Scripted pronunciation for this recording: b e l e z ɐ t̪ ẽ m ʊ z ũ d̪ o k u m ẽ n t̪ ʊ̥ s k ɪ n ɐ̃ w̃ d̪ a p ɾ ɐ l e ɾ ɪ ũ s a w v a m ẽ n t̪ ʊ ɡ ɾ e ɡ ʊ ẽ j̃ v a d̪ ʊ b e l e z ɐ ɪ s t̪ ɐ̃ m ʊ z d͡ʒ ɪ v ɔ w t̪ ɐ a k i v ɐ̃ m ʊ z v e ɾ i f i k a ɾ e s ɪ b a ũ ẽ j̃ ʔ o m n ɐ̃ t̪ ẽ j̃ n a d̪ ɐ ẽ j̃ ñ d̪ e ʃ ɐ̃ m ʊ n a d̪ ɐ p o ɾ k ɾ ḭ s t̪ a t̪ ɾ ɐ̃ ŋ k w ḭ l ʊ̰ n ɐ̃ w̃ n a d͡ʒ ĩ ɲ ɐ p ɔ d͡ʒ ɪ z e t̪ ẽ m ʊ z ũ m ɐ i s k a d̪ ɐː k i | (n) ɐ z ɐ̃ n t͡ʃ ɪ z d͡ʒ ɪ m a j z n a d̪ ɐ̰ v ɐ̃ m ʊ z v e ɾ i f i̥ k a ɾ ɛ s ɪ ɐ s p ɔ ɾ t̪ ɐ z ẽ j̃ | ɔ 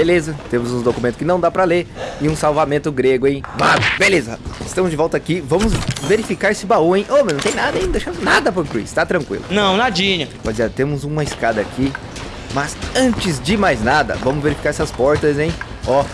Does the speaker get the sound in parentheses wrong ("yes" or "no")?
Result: yes